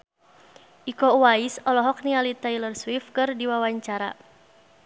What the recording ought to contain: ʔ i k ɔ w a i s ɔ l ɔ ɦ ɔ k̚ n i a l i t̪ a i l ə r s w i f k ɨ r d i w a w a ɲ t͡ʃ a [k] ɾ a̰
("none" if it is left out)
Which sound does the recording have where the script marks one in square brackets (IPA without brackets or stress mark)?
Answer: none